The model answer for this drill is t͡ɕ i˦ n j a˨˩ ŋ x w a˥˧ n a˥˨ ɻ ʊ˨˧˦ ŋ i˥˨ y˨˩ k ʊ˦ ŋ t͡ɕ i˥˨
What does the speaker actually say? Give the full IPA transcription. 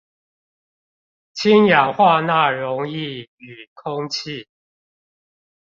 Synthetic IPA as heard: t͡ɕʰ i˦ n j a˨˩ ŋ x w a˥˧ n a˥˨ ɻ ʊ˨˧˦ ŋ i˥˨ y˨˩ kʰ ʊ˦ ŋ t͡ɕʰ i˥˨